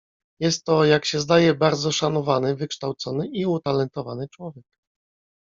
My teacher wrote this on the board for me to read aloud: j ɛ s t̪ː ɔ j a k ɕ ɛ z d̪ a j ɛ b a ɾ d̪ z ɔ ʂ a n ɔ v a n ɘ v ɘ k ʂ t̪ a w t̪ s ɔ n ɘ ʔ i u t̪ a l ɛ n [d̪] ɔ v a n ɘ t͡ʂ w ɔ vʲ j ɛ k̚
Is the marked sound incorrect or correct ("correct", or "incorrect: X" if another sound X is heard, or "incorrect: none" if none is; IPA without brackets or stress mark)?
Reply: incorrect: t̪